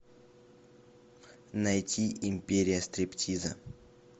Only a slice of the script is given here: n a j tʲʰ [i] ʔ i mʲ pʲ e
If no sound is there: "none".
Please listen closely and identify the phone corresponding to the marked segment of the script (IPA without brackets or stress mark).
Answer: i